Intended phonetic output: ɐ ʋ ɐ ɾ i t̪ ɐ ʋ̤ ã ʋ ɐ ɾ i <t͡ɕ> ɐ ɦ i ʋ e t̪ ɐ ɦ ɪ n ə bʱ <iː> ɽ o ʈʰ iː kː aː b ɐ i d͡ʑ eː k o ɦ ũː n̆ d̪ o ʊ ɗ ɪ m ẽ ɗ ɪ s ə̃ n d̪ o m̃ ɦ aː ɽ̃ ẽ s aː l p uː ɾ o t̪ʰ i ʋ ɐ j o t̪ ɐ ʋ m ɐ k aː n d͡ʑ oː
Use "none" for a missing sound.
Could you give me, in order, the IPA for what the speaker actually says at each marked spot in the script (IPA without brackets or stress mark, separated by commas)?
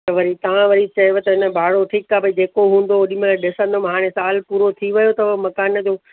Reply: t͡ɕ, aː